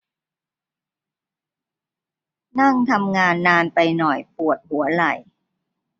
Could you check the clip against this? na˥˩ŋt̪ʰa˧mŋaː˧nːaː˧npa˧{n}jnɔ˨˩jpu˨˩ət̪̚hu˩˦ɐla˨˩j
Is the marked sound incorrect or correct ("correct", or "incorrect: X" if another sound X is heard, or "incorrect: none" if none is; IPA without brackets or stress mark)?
incorrect: none